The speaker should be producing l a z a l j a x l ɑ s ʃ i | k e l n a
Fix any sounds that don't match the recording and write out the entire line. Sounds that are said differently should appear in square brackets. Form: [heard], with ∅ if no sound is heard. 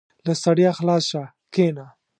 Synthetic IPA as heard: l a [s] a [ɽ] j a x l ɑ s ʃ [a] | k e [∅] n a